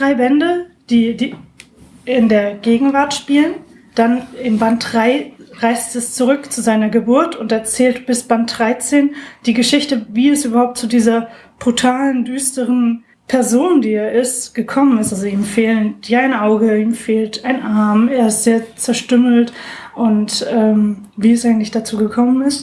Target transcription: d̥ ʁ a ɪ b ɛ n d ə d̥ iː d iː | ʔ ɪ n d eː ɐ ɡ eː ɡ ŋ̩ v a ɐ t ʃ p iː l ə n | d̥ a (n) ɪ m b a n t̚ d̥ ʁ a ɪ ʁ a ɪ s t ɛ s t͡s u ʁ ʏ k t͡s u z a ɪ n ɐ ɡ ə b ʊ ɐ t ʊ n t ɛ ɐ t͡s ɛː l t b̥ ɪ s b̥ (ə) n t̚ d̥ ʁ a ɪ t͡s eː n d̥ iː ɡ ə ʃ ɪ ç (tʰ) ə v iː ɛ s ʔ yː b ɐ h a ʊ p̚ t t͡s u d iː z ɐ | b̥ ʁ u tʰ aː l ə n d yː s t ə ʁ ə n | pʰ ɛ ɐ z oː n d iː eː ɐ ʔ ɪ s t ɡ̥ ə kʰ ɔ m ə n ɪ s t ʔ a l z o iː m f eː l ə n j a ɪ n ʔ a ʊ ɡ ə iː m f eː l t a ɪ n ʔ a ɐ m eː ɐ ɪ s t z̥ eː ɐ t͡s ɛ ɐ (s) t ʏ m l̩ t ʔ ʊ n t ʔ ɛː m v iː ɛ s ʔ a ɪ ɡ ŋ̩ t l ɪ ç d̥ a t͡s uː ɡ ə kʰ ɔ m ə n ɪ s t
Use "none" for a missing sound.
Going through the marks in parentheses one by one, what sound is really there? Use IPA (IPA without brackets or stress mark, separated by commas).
n, a, t, ʃ